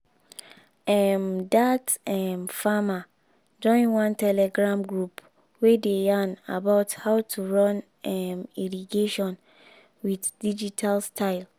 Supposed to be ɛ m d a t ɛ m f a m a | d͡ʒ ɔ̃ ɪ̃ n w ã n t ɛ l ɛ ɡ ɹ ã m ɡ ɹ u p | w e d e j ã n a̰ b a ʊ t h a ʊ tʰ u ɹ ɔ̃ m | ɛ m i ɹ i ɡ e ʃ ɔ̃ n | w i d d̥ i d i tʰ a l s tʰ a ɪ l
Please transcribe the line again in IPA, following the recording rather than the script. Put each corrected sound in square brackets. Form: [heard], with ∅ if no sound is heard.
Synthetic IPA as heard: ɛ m d a t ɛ m f a m a | d͡ʒ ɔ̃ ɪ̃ n w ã n t ɛ l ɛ ɡ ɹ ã m ɡ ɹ u p | w e d e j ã n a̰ b a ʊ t h a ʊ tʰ u ɹ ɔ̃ [n] | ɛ m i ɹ i ɡ e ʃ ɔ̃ n | w i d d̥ i [d͡ʒ] i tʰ a l s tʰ a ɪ l